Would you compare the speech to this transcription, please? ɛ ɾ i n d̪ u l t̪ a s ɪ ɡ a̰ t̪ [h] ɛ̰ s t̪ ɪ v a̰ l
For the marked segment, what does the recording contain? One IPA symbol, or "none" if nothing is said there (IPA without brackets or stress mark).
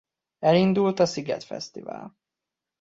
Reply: f